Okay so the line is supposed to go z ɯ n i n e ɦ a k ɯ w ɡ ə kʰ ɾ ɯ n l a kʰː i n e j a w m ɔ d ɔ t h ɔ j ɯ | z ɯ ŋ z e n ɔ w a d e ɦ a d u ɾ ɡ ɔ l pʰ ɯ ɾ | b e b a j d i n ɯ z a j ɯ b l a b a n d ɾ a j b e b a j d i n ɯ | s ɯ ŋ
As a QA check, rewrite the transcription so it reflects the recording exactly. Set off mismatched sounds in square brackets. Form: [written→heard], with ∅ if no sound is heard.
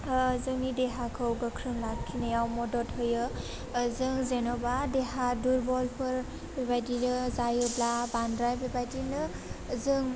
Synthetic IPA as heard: z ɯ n i [n→d] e ɦ a [k→kʰ] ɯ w ɡ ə kʰ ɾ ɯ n l a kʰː i n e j a w m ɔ d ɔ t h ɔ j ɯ | z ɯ ŋ z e n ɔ [w→b] a d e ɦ a d u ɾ [ɡ→b] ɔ l pʰ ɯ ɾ | b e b a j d i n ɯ z a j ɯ b l a b a n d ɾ a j b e b a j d i n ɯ | [s→z] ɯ ŋ